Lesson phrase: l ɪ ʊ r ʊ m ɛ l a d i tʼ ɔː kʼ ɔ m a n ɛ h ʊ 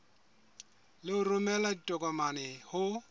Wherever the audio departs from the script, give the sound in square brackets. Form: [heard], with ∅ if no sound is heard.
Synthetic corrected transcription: l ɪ ʊ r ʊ m ɛ l a d i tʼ [ɔ] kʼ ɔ m a n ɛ h ʊ